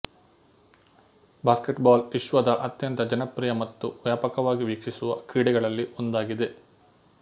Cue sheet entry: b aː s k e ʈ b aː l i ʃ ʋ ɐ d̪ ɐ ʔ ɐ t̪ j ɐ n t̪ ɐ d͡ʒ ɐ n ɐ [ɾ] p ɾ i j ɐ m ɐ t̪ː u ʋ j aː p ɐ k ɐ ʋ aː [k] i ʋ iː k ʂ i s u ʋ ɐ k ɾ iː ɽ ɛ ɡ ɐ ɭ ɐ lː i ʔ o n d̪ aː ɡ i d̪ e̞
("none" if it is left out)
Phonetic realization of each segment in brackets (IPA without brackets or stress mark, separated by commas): none, ɡ